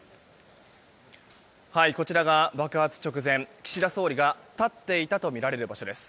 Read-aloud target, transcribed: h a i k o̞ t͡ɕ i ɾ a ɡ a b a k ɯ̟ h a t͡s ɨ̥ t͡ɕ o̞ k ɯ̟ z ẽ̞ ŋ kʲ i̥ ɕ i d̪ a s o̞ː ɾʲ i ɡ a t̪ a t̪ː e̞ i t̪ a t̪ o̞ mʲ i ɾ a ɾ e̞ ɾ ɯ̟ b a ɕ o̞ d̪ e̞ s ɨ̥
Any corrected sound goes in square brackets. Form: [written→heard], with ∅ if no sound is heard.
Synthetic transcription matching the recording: h a i k o̞ t͡ɕ i ɾ a ɡ a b a k ɯ̟ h a t͡s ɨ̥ t͡ɕ o̞ k ɯ̟ z ẽ̞ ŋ kʲ i̥ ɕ i d̪ a s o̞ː ɾʲ i ɡ a t̪ a t̪ː e̞ i t̪ a t̪ o̞ mʲ i ɾ a ɾ e̞ ɾ ɯ̟ b a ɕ o̞ d̪ e̞ s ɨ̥